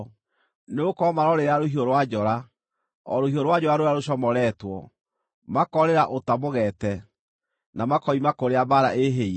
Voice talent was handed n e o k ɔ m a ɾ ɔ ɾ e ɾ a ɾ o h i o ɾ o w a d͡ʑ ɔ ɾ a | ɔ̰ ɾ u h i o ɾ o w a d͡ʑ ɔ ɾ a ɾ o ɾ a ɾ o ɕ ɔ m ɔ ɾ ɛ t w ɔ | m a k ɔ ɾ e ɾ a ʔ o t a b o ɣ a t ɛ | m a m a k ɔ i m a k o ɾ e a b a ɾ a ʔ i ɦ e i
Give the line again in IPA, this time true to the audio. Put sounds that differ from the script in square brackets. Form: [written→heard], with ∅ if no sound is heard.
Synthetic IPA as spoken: n e o k ɔ m a ɾ ɔ ɾ e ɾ a ɾ o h i o ɾ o w a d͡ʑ ɔ ɾ a | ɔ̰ ɾ [u→o] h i o ɾ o w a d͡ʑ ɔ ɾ a ɾ o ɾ a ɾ o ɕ ɔ m ɔ ɾ ɛ t w ɔ | m a k ɔ ɾ e ɾ a ʔ o t a [b→m] o ɣ [a→ɛ] t ɛ | [m→n] a m a k ɔ i m a k o ɾ e a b a ɾ a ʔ [i→e] ɦ e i